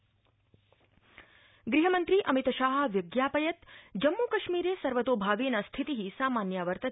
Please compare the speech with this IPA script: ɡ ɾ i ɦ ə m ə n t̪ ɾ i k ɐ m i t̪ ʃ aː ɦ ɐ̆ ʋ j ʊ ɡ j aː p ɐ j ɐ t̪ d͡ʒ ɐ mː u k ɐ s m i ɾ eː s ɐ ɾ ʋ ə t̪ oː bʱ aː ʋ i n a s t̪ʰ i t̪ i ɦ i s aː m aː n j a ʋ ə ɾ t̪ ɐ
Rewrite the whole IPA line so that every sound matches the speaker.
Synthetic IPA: ɡ ɾ i ɦ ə m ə n t̪ ɾ i ʔ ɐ m i t̪ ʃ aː ɦ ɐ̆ ʋ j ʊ ɡ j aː p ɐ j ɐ t̪ d͡ʒ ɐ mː u k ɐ ʃ m i ɾ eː s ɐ ɾ ʋ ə t̪ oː bʱ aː ʋ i n a s t̪ʰ i t̪ i ɦ i s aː m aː n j a ʋ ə ɾ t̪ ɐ